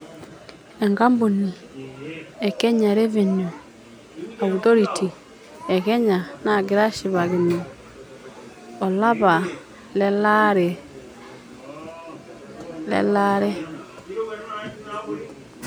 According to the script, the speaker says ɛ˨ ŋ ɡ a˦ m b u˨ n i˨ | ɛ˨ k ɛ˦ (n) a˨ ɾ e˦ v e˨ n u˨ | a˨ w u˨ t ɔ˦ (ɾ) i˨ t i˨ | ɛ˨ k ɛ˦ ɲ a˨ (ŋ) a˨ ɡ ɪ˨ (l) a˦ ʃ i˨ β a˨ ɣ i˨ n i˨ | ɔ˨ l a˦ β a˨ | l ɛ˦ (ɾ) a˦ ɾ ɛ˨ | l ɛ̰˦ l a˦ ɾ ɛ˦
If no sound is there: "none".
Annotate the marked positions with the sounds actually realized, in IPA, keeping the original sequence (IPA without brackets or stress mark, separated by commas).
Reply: ɲ, ɾ, n, ɾ, l